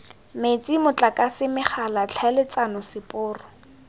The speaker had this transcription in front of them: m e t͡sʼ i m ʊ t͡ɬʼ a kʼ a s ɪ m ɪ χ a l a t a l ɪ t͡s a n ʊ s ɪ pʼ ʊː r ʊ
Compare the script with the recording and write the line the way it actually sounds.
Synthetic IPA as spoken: m e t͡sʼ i m ʊ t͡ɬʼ a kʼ a s ɪ m ɪ χ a l a t͡ɬʰ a l ɪ t͡s a n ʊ s ɪ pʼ ʊː r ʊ